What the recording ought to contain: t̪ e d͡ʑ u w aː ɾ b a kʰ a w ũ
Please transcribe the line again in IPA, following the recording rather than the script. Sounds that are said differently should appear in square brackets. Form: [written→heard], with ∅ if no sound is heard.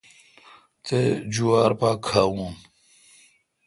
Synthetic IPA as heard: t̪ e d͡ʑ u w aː ɾ [b→p] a kʰ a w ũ

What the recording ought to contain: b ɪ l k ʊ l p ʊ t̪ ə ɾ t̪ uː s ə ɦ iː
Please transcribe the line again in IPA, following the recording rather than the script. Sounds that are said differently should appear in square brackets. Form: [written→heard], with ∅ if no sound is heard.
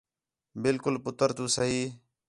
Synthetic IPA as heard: b ɪ l k ʊ l p ʊ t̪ ə ɾ t̪ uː s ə ɦ iː

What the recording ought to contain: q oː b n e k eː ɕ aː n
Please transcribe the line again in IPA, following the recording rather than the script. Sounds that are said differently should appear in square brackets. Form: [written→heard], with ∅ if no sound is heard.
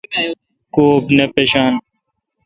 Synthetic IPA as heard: [q→k] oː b n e [k→p] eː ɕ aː n

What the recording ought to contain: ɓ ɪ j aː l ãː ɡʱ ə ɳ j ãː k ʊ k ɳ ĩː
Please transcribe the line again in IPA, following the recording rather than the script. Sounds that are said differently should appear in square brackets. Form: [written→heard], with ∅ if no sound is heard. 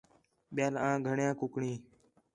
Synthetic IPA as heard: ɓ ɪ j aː l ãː ɡʱ ə ɳ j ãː k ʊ k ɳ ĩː

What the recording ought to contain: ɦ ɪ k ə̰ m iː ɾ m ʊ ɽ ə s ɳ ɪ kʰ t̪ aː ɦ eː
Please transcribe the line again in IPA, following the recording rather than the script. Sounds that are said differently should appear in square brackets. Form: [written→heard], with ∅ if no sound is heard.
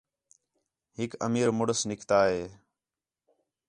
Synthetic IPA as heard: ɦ ɪ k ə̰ m iː ɾ m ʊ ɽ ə s [ɳ→n] ɪ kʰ t̪ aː ɦ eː

